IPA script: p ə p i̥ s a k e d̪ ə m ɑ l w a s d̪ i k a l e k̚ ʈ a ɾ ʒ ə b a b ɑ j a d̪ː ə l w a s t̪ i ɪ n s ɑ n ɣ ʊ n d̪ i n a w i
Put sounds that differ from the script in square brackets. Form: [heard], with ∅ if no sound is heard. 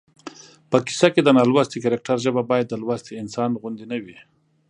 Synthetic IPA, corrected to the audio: p ə [k] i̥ s a k e d̪ ə [n] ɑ l w a s [t̪] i k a [ɾ] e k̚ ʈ a ɾ ʒ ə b a b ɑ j a d̪ː ə l w a s t̪ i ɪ n s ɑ n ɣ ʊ n d̪ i n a w i